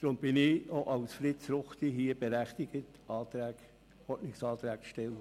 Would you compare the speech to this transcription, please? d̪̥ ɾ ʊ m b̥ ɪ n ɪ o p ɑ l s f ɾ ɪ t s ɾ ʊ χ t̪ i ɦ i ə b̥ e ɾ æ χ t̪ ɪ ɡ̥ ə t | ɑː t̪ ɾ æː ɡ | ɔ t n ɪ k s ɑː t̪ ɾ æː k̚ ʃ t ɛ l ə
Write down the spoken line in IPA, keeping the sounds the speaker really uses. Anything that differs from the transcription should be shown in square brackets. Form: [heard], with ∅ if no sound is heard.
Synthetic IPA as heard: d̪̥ ɾ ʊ m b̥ ɪ n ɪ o [ʔ] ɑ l s f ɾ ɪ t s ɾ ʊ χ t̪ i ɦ i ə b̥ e ɾ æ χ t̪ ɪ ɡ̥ ə t | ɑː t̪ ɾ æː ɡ | ɔ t n ɪ k s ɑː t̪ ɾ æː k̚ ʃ t ɛ l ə